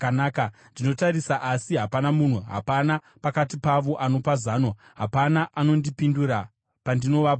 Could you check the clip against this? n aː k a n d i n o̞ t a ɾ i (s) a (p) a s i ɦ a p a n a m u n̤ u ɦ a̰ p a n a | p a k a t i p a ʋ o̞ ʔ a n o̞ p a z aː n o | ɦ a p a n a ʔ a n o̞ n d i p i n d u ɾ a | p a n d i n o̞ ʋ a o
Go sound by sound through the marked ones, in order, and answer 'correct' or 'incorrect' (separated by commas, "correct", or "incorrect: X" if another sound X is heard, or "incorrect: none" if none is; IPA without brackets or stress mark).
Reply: correct, incorrect: ʔ